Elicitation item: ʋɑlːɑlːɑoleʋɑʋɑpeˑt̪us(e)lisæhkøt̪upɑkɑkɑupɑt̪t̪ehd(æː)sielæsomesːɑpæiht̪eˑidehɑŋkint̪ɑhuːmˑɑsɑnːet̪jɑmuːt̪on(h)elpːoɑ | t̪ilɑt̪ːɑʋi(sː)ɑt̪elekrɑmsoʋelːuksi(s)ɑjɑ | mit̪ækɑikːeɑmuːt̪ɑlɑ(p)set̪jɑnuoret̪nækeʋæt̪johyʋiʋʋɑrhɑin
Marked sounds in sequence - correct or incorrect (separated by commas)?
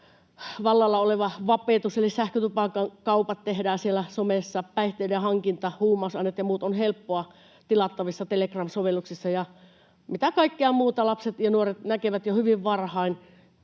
correct, correct, correct, correct, incorrect, correct